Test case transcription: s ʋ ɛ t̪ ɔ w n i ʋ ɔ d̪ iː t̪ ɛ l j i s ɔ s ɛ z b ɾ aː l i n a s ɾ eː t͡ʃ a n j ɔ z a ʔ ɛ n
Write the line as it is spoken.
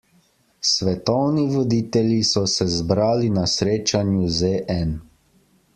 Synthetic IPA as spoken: s ʋ ɛ t̪ ɔ w n i ʋ ɔ d̪ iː t̪ ɛ l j i s ɔ s ɛ z b ɾ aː l i n a s ɾ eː t͡ʃ a n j u z e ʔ ɛ n